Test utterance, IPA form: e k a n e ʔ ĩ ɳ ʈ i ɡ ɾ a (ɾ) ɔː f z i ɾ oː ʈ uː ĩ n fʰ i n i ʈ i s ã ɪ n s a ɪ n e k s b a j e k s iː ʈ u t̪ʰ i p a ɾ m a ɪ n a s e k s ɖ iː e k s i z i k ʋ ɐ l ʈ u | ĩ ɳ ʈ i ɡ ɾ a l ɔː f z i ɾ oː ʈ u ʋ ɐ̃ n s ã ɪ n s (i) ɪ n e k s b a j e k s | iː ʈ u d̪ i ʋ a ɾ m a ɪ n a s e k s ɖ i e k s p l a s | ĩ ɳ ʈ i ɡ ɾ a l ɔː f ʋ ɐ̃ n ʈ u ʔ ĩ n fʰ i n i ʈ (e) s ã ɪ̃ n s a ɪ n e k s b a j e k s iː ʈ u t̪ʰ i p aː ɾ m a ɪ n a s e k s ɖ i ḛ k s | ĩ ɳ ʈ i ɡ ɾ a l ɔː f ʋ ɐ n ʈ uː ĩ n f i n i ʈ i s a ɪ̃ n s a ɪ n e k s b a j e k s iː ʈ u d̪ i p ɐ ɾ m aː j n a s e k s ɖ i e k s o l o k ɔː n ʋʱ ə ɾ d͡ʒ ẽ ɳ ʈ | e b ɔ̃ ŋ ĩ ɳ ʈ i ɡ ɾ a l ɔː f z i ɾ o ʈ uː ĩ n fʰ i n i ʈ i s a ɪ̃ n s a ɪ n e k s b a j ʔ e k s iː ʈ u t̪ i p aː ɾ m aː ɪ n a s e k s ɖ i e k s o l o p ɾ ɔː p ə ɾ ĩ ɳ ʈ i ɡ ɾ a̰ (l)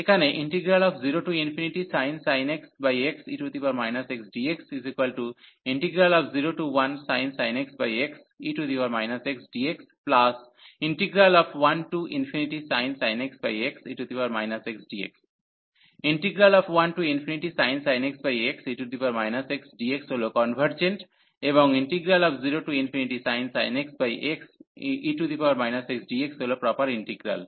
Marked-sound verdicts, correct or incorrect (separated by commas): incorrect, incorrect, incorrect, correct